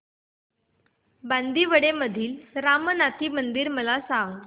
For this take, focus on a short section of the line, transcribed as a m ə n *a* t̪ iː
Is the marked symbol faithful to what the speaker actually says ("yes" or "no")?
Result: yes